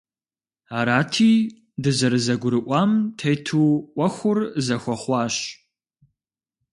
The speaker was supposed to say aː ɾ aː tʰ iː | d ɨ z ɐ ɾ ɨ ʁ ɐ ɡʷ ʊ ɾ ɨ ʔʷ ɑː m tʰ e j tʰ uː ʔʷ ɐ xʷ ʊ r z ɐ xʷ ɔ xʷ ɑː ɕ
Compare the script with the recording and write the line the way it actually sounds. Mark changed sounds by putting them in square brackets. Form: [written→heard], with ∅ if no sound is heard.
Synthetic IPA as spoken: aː ɾ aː tʰ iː | d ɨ z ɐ ɾ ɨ [ʁ→z] ɐ ɡʷ ʊ ɾ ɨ ʔʷ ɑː m tʰ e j tʰ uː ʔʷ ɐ xʷ ʊ r z ɐ xʷ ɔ [xʷ→χʷ] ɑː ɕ

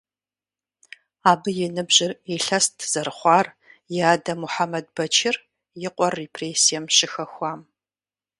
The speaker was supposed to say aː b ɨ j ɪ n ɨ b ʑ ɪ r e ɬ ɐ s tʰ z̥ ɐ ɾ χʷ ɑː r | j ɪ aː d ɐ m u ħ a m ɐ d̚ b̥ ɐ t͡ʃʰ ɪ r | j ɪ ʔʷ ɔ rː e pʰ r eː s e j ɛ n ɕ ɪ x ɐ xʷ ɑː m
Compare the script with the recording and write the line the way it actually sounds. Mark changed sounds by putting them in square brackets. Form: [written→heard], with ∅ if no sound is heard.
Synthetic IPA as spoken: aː b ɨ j ɪ n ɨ b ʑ ɪ r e ɬ ɐ s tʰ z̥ ɐ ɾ χʷ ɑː r | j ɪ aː d ɐ m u ħ a m ɐ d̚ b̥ ɐ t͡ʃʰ ɪ r | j ɪ [ʔʷ→qʷ] ɔ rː e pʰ r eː s [e→i] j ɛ [n→m] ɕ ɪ x ɐ xʷ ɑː m

